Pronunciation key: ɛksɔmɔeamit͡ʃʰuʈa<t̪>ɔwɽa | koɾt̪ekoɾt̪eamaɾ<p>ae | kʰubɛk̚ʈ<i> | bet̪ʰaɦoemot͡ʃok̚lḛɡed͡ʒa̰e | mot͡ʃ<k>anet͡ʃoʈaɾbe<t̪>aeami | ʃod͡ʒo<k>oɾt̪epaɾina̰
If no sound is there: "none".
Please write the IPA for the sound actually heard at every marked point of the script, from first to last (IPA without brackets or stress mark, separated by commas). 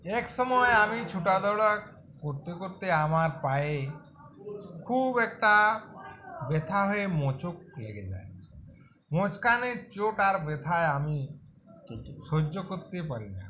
d̪, p, a, k, t̪ʰ, k